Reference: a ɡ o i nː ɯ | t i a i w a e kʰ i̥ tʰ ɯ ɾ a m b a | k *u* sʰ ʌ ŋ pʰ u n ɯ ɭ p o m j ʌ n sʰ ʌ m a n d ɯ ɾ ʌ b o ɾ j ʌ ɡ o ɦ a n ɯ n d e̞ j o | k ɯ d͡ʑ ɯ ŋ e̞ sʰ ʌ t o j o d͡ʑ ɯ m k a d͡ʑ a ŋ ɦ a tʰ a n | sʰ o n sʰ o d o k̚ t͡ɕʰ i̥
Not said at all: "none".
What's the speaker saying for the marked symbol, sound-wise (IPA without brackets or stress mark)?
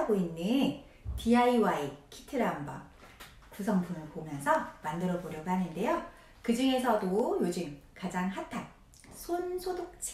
u